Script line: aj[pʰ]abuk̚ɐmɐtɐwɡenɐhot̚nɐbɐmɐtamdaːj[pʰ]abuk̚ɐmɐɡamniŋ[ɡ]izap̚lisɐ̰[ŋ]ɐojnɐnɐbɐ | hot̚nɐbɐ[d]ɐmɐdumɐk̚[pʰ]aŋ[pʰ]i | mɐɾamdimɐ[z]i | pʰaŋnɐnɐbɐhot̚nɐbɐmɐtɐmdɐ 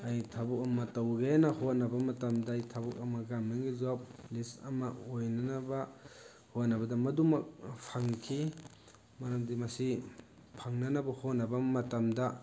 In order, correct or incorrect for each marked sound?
incorrect: tʰ, incorrect: tʰ, correct, incorrect: m, correct, correct, incorrect: kʰ, incorrect: s

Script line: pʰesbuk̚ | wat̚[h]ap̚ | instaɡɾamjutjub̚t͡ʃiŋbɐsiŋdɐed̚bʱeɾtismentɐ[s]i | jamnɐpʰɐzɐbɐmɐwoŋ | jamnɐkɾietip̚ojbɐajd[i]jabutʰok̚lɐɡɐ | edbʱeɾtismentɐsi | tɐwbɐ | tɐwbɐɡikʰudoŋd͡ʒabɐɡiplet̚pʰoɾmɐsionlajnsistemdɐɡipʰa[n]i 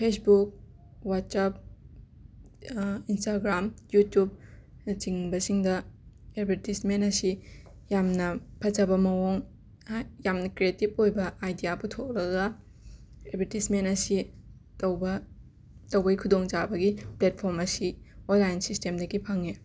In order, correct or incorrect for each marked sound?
incorrect: s, correct, correct, incorrect: ŋ

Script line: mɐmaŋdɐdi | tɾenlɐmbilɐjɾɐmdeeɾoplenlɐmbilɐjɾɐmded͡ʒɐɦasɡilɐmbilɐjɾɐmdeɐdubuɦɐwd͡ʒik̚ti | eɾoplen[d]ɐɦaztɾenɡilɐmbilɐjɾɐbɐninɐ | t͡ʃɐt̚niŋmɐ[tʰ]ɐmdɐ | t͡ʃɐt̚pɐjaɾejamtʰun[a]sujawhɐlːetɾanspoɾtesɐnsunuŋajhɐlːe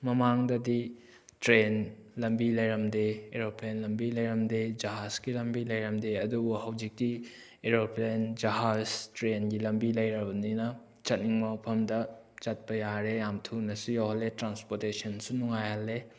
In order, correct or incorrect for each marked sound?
incorrect: d͡ʒ, incorrect: pʰ, incorrect: ɐ

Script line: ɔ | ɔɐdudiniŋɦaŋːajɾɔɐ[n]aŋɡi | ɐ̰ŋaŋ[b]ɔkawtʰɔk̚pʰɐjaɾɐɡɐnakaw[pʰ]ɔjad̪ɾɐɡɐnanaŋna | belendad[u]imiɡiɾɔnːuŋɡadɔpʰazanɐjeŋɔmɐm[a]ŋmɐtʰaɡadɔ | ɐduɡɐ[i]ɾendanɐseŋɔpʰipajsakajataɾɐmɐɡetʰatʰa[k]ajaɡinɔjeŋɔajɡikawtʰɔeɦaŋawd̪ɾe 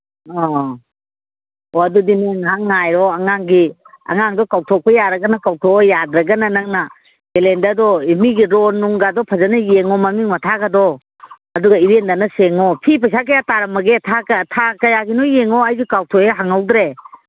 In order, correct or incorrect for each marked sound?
incorrect: ŋ, incorrect: d, incorrect: tʰ, incorrect: ɔ, incorrect: i, correct, correct

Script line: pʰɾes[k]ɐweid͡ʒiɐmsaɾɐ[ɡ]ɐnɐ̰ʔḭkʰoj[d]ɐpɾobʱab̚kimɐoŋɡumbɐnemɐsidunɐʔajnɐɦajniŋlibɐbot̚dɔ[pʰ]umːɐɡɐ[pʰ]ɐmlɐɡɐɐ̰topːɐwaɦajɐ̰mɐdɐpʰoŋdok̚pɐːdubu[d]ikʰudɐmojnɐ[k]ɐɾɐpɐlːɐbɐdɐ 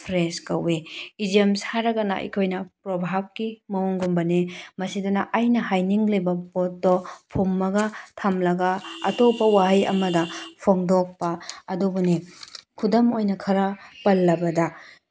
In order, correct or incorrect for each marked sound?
correct, correct, incorrect: n, correct, incorrect: tʰ, incorrect: n, incorrect: kʰ

